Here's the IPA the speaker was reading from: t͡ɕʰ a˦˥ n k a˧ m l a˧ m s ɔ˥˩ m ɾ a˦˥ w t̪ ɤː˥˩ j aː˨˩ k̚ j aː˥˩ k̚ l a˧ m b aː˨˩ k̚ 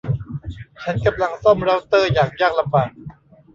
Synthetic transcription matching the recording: t͡ɕʰ a˦˥ n k a˧ m l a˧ ŋ s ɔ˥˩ m ɾ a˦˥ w t̪ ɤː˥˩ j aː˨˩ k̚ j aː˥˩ k̚ l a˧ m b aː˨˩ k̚